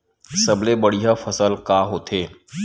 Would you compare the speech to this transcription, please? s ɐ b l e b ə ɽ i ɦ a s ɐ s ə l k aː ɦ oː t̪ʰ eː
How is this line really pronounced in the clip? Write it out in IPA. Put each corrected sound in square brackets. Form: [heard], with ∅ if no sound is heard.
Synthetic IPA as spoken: s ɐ b l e b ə ɽ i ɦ a [f] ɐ s ə l k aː ɦ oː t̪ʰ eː